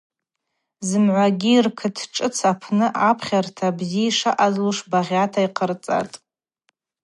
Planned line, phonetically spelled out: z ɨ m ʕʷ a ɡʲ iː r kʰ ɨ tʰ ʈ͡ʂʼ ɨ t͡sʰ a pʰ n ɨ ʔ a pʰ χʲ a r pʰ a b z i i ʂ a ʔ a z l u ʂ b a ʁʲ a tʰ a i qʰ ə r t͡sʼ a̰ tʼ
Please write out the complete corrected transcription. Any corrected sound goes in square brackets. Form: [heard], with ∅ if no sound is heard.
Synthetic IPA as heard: z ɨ m ʕʷ a ɡʲ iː r kʰ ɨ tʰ ʈ͡ʂʼ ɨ t͡sʰ a pʰ n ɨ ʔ a pʰ χʲ a r [tʰ] a b z i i ʂ a ʔ a z l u ʂ b a ʁʲ a tʰ a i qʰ ə r t͡sʼ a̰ tʼ